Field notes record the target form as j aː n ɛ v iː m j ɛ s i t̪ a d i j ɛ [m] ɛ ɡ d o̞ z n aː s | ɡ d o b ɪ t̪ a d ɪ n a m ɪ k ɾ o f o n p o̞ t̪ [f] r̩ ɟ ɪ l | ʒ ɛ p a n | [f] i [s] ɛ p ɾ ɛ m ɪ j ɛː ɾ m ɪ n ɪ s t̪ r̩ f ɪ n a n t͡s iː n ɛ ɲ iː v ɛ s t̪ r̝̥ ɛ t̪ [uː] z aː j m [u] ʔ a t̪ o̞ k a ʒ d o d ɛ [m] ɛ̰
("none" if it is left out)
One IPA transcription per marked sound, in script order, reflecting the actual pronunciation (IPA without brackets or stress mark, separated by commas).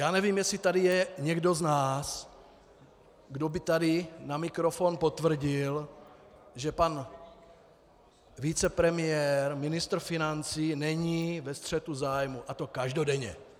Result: ɲ, v, v, t͡s, u, u, ɲ